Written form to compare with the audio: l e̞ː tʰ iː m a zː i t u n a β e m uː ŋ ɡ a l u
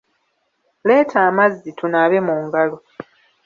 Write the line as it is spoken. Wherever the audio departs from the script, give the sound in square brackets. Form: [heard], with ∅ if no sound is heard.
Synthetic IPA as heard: l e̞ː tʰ [aː] m a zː i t u n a β e m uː ŋ ɡ a l [o]

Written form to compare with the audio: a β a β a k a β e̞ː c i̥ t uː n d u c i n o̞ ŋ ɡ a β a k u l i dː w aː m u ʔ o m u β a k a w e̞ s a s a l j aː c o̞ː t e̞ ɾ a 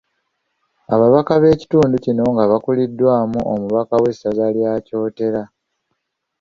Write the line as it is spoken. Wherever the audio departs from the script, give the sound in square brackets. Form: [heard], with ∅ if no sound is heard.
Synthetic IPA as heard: a β a β a k a β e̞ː c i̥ t uː n d u c i n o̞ ŋ ɡ a β a k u l i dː w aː m u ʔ o m u β a k a w e̞ s a [z] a l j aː c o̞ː t e̞ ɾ a

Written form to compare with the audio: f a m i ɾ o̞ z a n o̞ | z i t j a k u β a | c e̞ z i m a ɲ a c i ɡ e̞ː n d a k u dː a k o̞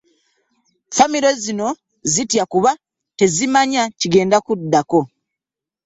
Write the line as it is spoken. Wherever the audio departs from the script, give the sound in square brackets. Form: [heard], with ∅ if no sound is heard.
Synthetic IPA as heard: f a m i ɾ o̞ z [i] n o̞ | z i t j a k u β a | [t] e̞ z i m a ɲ a c i ɡ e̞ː n d a k u dː a k o̞

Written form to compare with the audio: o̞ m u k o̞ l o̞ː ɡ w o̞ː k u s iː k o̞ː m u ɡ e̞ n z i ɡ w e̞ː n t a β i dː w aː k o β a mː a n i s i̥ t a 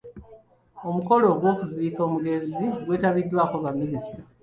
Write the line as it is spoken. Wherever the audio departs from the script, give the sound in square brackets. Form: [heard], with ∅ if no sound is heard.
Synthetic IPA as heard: o̞ m u k o̞ l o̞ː ɡ w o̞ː k u [z] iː k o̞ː m u ɡ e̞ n z i ɡ w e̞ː [∅] t a β i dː w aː k o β a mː [i] n i s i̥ t a

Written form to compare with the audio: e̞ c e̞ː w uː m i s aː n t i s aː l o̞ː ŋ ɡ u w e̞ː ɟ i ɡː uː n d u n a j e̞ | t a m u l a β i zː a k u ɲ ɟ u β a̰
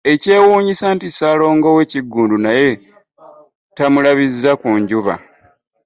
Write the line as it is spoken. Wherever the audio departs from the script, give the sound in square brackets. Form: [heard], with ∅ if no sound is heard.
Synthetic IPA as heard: e̞ c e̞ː w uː [ɲ] i s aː n t i s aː l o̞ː ŋ ɡ [o] w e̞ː [c] i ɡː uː n d u n a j e̞ | t a m u l a β i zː a k u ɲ ɟ u β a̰

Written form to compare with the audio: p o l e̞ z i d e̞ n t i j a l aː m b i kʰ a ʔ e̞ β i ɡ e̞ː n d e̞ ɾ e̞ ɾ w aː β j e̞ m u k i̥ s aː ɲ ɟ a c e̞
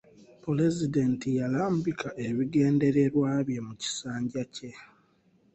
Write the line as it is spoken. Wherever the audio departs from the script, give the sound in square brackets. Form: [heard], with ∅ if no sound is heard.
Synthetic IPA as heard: p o l e̞ z i d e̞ n t i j a l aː m b i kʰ a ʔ e̞ β i ɡ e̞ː n d e̞ ɾ e̞ ɾ w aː β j e̞ m u [c] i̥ s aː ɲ ɟ a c e̞

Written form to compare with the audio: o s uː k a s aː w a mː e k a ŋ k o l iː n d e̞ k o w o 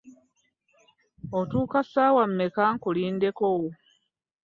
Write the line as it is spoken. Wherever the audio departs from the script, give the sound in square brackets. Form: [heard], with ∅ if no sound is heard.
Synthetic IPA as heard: o [t] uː k a s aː w a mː e k a ŋ k [u] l iː n d e̞ k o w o

